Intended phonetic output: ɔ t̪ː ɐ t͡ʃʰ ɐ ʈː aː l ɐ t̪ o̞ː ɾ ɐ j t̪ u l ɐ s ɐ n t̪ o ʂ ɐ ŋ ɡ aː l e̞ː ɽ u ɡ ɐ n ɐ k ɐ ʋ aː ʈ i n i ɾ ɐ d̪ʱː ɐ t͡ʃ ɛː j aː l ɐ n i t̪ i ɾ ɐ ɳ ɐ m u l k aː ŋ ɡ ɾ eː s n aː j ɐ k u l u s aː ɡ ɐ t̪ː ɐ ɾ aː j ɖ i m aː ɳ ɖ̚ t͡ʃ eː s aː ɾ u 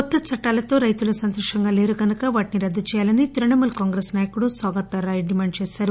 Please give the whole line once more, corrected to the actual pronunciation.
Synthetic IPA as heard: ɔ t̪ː ɐ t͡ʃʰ ɐ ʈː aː l ɐ t̪ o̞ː ɾ ɐ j t̪ u l ɐ s ɐ n t̪ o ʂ ɐ ŋ ɡ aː l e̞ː ɾ u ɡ ɐ n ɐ k ɐ ʋ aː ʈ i n i ɾ ɐ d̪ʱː ɐ t͡ʃ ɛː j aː l ɐ n i t̪ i ɾ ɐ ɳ ɐ m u l k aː ŋ ɡ ɾ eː s n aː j ɐ k u ɽ u s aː ɡ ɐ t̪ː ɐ ɾ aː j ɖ i m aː ɳ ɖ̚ t͡ʃ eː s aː ɾ u